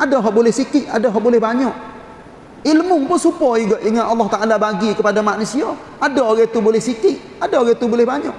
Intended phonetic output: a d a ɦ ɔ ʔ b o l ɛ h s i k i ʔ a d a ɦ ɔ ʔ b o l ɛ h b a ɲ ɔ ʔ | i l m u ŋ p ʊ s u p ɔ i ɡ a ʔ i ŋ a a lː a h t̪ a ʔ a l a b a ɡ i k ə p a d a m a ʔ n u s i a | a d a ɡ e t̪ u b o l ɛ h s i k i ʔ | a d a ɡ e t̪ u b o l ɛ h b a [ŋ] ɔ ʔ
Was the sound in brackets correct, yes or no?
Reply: no